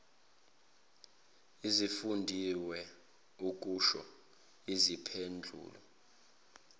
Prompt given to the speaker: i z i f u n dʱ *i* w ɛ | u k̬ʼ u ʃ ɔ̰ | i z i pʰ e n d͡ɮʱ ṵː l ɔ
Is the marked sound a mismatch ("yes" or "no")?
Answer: no